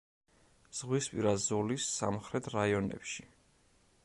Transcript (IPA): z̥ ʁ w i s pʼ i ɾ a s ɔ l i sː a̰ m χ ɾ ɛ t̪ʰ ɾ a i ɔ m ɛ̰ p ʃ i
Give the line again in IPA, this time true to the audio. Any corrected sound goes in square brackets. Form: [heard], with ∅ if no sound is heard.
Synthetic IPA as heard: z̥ ʁ w i s pʼ i ɾ a [z] ɔ l i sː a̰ m χ ɾ ɛ t̪ʰ ɾ a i ɔ [n] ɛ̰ p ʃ i